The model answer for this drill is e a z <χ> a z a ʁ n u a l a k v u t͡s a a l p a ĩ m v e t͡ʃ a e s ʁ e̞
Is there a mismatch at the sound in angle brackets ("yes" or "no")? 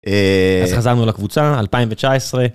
no